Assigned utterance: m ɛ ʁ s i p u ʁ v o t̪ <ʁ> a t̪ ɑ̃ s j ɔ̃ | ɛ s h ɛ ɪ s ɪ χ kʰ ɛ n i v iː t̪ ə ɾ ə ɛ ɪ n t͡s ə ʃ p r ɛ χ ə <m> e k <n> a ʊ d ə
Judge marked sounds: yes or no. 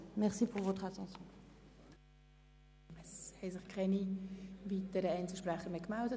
no, yes, no

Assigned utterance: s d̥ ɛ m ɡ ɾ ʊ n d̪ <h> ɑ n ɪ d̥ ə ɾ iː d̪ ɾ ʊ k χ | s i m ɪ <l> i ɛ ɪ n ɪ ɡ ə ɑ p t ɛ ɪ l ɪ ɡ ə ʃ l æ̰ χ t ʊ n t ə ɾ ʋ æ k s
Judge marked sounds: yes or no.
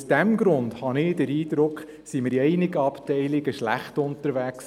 yes, no

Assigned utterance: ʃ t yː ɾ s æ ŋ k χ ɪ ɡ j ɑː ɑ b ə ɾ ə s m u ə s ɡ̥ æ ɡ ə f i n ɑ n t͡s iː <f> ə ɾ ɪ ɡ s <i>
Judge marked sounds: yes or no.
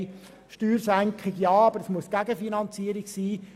no, no

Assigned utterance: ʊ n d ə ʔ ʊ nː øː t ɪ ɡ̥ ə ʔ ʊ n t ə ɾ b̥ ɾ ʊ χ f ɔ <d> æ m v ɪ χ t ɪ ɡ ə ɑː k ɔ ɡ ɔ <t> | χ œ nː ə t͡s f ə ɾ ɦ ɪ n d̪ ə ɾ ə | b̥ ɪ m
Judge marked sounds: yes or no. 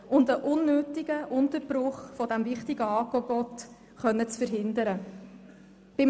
yes, yes

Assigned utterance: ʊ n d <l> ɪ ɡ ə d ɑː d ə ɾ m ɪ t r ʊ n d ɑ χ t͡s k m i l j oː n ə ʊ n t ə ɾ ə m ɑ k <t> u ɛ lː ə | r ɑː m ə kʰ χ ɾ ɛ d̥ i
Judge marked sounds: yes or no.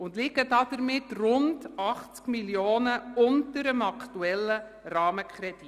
yes, yes

